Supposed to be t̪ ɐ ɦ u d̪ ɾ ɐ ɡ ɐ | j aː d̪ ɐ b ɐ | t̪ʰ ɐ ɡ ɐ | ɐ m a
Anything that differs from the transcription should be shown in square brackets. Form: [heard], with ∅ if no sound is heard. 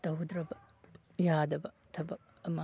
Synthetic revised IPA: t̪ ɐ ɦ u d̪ ɾ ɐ [b] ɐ | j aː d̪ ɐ b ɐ | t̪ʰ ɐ [b] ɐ | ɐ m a